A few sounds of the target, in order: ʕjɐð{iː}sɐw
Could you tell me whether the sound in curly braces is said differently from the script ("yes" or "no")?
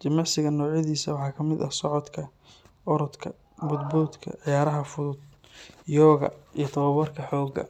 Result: no